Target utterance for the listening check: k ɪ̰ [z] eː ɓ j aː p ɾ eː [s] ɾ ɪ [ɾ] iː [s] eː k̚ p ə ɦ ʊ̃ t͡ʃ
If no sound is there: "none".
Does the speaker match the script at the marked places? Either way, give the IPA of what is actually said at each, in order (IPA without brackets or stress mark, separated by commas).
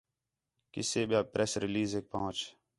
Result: s, s, l, z